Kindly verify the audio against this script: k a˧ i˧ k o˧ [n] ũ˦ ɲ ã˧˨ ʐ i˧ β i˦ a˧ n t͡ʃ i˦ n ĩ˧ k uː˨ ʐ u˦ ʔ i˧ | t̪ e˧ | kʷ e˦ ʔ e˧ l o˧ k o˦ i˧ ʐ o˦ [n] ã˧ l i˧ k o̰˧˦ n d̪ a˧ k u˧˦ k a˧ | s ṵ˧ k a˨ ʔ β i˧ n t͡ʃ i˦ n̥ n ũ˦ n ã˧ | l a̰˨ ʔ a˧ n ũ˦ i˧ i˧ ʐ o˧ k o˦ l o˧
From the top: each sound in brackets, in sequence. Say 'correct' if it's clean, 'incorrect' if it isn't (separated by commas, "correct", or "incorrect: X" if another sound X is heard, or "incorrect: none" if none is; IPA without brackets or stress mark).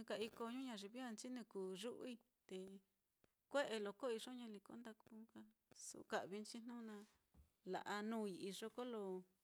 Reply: incorrect: ɲ, incorrect: ɲ